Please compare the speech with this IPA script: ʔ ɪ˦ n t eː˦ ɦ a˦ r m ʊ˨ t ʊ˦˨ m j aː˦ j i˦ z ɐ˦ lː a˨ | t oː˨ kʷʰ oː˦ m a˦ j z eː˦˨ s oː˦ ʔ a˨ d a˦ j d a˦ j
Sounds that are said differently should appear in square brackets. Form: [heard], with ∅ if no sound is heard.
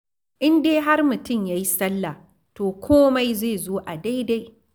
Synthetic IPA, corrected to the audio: ʔ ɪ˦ n [d] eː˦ ɦ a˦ r m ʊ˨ t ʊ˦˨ m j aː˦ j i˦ [s] ɐ˦ lː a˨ | t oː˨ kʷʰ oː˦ m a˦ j z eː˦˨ [z] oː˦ ʔ a˨ d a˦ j d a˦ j